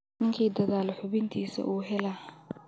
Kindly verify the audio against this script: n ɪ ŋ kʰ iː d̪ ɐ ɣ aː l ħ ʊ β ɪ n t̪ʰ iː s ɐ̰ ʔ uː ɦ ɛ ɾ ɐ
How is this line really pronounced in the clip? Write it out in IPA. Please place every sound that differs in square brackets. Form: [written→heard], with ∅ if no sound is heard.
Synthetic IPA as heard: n ɪ ŋ kʰ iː d̪ ɐ [ɣ→ð] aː l ħ ʊ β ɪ n t̪ʰ iː s ɐ̰ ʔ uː ɦ ɛ [ɾ→l] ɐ